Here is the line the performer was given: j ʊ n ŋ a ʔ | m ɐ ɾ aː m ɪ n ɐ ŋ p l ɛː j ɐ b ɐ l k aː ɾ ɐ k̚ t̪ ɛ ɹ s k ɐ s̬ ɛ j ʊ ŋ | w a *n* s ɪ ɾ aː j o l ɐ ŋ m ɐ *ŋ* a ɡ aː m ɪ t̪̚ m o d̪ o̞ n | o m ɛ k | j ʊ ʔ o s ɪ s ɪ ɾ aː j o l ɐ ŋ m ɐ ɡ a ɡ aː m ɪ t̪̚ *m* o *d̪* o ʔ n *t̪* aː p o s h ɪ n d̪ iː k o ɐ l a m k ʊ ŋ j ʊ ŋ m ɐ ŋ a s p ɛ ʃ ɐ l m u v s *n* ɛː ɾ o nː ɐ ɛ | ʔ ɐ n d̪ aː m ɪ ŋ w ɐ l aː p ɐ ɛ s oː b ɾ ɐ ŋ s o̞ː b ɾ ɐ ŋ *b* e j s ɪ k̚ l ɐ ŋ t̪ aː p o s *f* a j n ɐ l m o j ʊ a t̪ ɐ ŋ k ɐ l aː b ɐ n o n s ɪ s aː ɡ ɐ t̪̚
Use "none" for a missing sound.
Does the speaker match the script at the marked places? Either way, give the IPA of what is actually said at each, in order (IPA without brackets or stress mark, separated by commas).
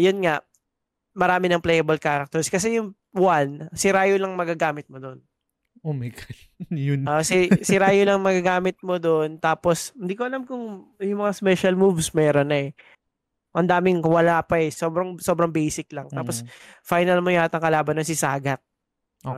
n, ɡ, m, d̪, t̪, m, b, f